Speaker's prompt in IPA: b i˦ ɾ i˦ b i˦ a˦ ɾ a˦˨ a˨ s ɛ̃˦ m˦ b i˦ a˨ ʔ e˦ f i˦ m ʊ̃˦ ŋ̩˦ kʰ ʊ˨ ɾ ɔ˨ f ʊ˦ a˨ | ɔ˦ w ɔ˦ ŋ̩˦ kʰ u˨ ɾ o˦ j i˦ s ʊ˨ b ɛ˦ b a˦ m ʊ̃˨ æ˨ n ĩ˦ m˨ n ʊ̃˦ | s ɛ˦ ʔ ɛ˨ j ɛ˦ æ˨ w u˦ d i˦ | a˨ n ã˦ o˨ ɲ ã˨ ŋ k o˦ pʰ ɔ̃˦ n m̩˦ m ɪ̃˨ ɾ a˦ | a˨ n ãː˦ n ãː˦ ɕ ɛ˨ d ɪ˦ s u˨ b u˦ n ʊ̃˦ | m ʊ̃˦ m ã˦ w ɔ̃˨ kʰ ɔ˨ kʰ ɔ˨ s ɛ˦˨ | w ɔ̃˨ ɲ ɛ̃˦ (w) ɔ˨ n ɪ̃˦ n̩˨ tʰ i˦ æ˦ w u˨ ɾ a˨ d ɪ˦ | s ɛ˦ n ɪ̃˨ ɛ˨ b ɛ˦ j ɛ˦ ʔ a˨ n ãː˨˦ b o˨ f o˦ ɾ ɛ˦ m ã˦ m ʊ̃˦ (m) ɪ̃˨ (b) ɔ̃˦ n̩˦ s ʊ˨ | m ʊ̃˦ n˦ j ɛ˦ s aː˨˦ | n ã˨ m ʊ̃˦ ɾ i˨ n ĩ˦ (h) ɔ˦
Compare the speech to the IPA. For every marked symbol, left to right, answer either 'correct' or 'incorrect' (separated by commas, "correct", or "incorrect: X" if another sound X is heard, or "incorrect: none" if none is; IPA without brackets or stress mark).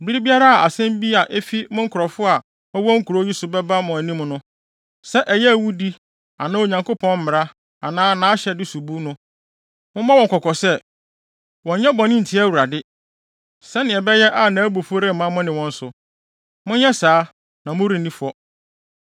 incorrect: b, incorrect: n, incorrect: w, incorrect: f